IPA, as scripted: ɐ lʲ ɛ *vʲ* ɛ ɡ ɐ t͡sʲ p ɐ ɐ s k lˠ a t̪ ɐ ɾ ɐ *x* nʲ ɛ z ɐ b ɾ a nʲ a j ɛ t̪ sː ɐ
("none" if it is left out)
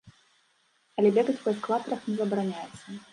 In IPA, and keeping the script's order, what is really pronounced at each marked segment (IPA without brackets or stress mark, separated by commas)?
bʲ, x